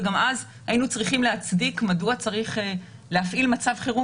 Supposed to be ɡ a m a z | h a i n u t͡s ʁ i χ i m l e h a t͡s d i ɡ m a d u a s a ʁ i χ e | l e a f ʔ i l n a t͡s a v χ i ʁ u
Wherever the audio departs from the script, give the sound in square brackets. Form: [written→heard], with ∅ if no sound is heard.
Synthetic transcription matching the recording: ɡ a m a z | h a i n u t͡s ʁ i χ i m l e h a t͡s d i [ɡ→k] m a d u a [s→t͡s] a ʁ i χ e | l e a f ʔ i l [n→m] a t͡s a v χ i ʁ u

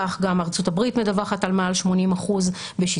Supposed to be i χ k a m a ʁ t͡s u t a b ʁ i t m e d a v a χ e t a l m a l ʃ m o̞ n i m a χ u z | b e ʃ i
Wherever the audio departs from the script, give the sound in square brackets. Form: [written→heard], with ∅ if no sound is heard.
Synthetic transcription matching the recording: [i→a] χ [k→ɡ] a m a ʁ t͡s u t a b ʁ i t m e d a v a χ [e→a] t a l m a l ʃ m o̞ n i m a χ u z | b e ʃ i

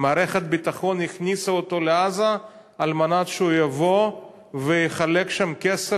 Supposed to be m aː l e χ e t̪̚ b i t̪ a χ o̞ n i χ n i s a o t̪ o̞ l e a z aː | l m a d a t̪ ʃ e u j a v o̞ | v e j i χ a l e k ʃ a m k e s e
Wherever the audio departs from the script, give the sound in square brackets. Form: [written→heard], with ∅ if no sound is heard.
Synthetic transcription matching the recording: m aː [l→ɾ] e χ e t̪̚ b i t̪ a χ o̞ n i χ n i s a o t̪ o̞ l e a z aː | l m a [d→n] a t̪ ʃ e u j a v o̞ | v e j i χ a l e k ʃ a m k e s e

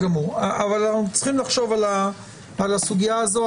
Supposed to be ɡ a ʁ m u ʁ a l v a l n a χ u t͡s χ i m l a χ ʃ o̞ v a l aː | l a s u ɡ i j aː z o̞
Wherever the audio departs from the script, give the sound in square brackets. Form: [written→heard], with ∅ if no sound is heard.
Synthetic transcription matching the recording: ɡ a [ʁ→∅] m u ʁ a [l→∅] v a l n a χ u t͡s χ i m l a χ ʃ o̞ v a l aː | l a s u ɡ i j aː z o̞

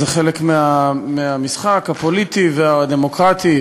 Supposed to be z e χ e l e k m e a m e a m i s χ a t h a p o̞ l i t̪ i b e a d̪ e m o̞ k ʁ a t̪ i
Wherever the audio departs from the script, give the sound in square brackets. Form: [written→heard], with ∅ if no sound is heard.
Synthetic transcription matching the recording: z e χ e l e k m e a m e a m i s χ a [t→k] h a p o̞ l i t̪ i [b→v] e a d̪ e m o̞ k ʁ a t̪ i

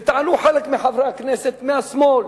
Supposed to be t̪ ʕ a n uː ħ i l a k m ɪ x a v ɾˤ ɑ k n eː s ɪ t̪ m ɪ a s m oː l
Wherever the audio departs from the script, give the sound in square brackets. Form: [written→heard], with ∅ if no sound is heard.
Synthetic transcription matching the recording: t̪ ʕ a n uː ħ [i→a] l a k m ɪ [x→ħ] a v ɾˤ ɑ k n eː s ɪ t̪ m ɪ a s m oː l

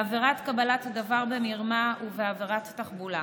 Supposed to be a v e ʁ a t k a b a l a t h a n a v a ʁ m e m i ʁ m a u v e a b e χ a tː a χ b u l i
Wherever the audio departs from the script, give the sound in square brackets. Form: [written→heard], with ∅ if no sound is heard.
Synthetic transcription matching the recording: a v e ʁ a t k a b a l a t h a [n→d] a v a ʁ [m→b] e m i ʁ m a u v e a [b→v] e [χ→ʁ] a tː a χ b u l [i→a]

